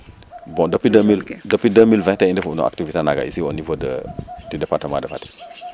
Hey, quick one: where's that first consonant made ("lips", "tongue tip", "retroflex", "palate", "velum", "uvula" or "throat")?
lips